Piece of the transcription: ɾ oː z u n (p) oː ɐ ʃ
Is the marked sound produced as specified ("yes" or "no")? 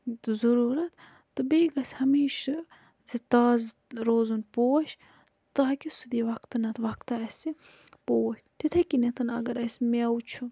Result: yes